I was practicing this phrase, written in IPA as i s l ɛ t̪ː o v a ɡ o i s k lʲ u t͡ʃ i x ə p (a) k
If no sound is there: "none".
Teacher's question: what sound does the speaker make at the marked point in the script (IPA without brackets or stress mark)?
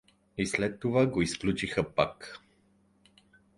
a